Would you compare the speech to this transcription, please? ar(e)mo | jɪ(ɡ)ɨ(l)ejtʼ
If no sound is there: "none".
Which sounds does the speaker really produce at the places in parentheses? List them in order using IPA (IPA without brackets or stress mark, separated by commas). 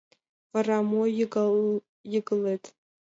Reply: a, ɡ, l